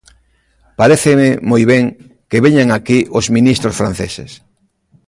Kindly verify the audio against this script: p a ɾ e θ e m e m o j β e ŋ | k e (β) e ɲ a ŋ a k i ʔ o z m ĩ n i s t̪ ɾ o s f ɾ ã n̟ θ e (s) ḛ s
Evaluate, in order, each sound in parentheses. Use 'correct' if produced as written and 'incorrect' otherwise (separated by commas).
correct, correct